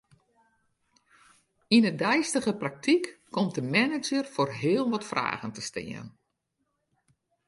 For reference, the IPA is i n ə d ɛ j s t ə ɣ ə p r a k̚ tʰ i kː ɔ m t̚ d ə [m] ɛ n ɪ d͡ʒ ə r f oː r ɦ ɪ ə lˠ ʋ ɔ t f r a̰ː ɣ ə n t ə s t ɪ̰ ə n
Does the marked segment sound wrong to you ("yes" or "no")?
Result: no